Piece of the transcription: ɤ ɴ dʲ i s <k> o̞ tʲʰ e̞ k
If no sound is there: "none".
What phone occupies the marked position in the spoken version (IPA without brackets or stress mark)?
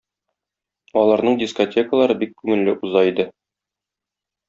k